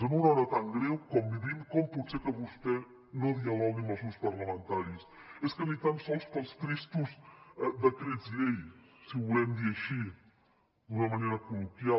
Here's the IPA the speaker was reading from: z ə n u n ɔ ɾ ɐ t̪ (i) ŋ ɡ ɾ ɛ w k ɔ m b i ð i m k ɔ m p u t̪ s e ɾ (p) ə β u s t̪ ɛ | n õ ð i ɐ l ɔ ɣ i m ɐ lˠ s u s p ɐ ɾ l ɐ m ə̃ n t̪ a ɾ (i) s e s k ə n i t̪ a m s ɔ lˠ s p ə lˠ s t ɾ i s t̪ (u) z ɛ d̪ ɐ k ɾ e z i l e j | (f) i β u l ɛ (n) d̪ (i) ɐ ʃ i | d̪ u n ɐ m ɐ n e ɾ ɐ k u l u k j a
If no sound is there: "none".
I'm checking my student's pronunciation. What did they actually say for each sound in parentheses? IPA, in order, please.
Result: a, k, i, u, s, m, i

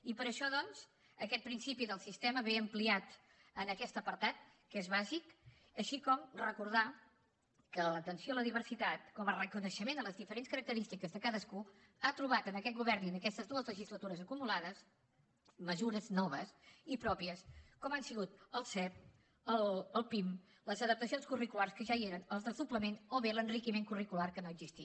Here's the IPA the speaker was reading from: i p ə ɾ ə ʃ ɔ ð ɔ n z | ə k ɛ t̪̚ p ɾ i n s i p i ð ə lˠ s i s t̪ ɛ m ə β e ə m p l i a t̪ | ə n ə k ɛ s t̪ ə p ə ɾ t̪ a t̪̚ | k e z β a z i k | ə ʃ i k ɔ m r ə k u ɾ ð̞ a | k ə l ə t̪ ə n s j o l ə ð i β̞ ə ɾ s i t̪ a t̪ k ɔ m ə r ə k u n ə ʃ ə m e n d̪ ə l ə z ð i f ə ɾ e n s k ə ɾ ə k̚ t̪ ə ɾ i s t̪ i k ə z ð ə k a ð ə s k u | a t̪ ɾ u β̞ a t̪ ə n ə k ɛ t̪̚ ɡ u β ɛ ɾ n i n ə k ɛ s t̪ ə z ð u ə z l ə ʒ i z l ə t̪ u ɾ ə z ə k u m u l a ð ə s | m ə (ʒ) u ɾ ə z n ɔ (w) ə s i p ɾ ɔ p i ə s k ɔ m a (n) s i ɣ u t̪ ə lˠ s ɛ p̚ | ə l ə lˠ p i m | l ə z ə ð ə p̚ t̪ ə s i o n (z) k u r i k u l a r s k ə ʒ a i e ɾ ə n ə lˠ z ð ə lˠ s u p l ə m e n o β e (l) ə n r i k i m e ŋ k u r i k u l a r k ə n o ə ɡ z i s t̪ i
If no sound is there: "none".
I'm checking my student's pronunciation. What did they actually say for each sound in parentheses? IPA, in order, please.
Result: z, β, n, s, l

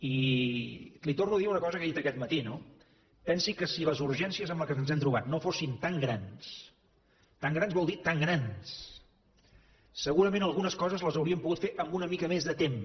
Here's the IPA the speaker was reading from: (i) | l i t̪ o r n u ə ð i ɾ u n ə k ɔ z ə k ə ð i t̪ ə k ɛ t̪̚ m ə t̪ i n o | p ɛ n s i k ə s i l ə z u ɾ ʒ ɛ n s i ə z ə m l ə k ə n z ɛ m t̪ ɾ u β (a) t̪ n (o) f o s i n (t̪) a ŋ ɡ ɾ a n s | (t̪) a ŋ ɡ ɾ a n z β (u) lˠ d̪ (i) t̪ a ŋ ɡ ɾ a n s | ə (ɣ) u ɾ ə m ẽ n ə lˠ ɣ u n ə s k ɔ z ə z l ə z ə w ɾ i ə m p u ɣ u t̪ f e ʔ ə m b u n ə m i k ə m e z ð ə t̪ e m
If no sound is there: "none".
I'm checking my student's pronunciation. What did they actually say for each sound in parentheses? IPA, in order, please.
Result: i, a, o, t̪, t̪, ɔ, i, ɣ

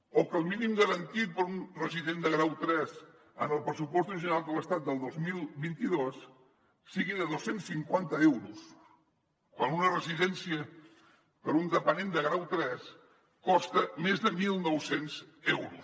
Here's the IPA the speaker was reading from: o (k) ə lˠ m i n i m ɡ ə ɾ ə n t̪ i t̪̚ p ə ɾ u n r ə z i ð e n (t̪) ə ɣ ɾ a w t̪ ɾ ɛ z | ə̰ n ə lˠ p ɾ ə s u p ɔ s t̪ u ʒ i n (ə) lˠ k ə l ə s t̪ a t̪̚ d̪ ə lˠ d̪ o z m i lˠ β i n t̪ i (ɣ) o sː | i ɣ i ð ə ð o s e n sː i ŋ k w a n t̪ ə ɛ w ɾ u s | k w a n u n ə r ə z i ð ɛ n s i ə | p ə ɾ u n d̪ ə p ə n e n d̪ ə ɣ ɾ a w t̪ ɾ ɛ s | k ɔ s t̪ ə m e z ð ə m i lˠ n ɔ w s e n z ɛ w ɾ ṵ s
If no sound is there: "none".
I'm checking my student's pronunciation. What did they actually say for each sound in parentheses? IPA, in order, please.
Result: k, d̪, a, ð

